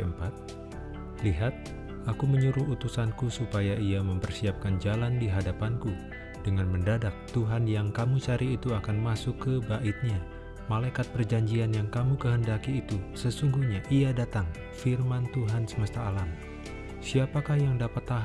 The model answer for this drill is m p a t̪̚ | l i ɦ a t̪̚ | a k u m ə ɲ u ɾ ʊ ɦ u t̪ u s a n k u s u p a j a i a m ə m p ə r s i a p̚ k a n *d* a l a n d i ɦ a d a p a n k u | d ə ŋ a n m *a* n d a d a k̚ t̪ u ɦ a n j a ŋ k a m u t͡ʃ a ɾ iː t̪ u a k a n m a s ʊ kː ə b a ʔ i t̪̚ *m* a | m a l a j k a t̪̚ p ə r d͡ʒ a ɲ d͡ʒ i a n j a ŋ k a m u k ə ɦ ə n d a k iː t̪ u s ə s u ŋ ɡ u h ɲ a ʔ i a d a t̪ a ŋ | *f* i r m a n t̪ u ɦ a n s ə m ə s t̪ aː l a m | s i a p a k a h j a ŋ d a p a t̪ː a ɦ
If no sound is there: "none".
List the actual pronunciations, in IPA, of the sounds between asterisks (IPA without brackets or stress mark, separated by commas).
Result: d͡ʒ, ə, ɲ, f